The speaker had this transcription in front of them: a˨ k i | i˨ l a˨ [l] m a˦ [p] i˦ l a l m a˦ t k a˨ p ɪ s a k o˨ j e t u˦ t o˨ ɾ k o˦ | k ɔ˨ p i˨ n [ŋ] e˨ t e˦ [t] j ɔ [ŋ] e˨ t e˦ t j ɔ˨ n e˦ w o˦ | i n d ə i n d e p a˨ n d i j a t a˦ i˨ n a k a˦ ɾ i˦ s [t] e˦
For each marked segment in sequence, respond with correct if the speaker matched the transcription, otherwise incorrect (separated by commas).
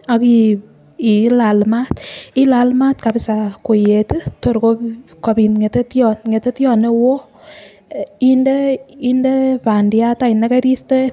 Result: correct, incorrect, correct, correct, correct, correct